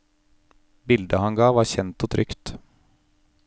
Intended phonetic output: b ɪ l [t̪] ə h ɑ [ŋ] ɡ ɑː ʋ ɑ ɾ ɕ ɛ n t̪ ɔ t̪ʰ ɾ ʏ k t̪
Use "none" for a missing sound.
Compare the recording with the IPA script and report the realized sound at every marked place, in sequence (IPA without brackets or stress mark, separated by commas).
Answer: d̪, n